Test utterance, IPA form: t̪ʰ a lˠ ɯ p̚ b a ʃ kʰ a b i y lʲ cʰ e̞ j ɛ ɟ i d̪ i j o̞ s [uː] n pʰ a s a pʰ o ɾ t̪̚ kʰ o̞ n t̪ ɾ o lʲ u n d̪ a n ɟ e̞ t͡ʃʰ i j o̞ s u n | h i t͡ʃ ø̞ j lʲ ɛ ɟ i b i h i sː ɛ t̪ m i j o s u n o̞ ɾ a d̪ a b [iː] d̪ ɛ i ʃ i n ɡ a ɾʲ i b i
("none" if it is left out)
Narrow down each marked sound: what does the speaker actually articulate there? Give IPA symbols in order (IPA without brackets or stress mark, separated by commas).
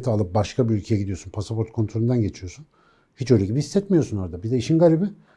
u, i